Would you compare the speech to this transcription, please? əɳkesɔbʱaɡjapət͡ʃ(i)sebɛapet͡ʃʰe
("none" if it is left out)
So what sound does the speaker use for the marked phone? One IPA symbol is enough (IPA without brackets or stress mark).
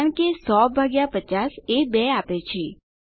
a